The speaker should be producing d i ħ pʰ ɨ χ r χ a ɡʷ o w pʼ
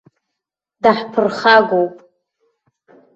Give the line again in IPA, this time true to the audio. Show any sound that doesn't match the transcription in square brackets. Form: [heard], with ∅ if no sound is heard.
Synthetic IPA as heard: d [a] ħ pʰ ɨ [∅] r χ a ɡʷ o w pʼ